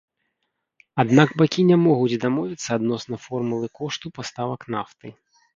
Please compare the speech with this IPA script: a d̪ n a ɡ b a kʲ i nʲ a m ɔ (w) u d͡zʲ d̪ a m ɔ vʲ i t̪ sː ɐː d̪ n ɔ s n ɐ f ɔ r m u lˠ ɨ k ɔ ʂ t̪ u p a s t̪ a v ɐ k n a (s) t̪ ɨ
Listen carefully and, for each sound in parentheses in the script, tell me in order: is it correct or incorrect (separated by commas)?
incorrect, incorrect